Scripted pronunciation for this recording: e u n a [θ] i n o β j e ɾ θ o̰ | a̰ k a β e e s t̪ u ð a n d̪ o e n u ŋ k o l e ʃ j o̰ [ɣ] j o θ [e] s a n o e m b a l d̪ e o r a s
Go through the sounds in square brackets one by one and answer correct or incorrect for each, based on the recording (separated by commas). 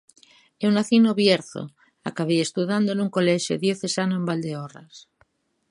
correct, incorrect, correct